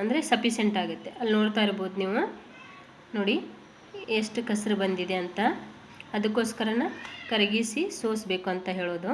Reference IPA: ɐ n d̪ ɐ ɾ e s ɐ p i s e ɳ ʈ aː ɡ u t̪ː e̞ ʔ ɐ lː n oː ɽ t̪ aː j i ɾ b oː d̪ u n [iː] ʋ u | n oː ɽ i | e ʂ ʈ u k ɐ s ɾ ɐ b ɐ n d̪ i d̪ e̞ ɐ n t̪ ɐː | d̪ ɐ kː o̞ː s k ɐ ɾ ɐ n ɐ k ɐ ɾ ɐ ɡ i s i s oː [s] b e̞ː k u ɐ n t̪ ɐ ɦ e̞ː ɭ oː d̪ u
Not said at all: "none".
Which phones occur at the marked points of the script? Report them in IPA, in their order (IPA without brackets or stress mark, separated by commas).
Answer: iː, s